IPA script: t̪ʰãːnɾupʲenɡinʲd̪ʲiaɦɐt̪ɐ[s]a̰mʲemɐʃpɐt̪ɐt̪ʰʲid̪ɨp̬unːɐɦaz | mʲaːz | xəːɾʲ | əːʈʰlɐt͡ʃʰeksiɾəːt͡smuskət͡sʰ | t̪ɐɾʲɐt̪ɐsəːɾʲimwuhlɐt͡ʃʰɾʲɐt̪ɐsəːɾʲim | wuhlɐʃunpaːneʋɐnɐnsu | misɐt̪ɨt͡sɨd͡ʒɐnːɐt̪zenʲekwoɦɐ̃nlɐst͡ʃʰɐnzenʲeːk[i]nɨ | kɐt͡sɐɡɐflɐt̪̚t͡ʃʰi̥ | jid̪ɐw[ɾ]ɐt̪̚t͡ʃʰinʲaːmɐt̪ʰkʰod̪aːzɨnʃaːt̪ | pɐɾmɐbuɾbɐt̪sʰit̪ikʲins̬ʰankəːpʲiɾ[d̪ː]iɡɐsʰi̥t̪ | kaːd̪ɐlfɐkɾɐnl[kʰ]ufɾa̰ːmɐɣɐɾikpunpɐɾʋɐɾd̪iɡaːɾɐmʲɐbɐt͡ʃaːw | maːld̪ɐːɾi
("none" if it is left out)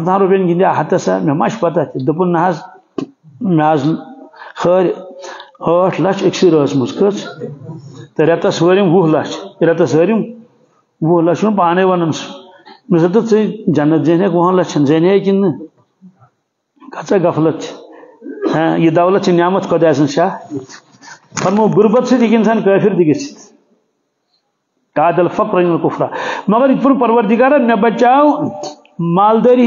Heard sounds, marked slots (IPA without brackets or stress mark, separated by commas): s, i, l, d̪, k